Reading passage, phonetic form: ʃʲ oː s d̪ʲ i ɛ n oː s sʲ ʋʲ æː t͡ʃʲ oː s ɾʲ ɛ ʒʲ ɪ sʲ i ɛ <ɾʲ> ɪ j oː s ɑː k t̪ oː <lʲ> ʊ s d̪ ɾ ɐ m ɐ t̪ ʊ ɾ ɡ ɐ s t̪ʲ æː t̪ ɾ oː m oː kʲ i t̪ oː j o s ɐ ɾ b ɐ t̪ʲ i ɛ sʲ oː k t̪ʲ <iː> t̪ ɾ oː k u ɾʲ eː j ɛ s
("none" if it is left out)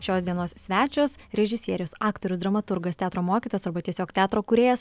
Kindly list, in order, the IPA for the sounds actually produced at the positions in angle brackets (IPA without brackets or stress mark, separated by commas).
ɾʲ, ɾʲ, æː